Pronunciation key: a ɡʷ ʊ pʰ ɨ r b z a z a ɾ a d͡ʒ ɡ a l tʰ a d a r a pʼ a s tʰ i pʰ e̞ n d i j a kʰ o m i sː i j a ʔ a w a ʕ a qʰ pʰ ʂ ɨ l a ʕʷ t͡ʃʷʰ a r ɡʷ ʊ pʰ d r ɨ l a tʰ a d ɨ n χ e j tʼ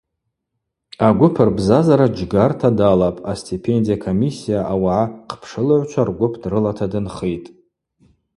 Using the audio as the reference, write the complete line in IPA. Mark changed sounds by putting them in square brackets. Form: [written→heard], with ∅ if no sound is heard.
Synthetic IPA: a ɡʷ ʊ pʰ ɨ r b z a z a ɾ a d͡ʒ ɡ a [l→r] tʰ a d a [r→l] a pʼ a s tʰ i pʰ e̞ n d i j a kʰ o m i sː i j a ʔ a w a ʕ a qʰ pʰ ʂ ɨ l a ʕʷ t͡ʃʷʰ a r ɡʷ ʊ pʰ d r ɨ l a tʰ a d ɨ n χ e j tʼ